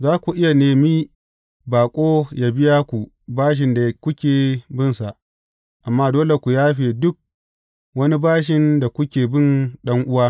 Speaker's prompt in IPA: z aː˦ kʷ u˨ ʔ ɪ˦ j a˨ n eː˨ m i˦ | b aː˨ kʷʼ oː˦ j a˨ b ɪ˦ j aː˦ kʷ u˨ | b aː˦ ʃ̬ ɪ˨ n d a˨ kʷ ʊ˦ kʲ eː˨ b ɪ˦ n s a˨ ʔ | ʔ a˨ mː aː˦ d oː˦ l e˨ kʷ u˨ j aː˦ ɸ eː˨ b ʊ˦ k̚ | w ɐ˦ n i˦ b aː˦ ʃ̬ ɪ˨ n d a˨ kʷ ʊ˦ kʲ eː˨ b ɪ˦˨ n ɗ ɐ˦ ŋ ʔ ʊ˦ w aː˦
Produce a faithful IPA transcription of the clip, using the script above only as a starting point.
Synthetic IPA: z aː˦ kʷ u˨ ʔ ɪ˦ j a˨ n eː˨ m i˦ | b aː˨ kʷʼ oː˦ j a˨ b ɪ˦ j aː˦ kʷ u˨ | b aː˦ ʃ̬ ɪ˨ n d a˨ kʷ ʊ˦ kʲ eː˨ b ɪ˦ n s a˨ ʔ | ʔ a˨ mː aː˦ d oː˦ l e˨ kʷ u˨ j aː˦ ɸ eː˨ d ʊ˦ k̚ | w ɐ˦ n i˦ b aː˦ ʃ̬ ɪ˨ n d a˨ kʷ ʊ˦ kʲ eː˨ b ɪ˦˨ n ɗ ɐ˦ ŋ ʔ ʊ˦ w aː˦